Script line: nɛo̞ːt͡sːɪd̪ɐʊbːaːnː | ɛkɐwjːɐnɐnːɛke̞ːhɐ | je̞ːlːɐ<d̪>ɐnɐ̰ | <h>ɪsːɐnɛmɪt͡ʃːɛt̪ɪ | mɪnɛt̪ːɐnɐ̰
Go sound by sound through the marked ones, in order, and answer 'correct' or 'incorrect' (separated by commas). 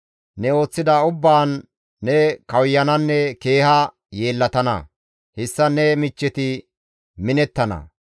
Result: incorrect, correct